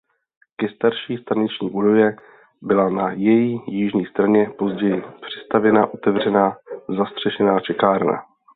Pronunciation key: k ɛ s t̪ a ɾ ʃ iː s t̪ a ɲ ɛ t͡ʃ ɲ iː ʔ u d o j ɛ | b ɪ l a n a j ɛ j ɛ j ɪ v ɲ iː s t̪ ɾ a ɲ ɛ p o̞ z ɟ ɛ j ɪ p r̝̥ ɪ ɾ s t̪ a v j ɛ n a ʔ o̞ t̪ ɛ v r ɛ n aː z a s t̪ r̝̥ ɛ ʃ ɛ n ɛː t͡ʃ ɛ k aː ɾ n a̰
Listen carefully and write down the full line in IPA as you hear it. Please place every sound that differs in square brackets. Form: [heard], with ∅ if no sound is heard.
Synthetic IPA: k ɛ s t̪ a ɾ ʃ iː s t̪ a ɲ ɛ t͡ʃ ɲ iː ʔ u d o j ɛ | b ɪ l a n a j ɛ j [i] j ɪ [ʒ] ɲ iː s t̪ ɾ a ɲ ɛ p o̞ z ɟ ɛ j ɪ p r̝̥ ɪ [∅] s t̪ a v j ɛ n a ʔ o̞ t̪ ɛ v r ɛ n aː z a s t̪ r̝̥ ɛ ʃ ɛ n [aː] t͡ʃ ɛ k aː ɾ n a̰